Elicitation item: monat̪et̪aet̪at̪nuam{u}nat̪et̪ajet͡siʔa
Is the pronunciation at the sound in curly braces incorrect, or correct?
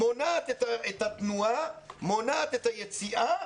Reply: incorrect